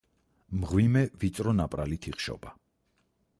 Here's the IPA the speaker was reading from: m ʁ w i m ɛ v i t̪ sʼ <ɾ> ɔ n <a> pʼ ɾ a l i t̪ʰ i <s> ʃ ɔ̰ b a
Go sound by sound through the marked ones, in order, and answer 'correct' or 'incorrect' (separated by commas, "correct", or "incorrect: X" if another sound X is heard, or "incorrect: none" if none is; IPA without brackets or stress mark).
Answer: correct, correct, incorrect: χ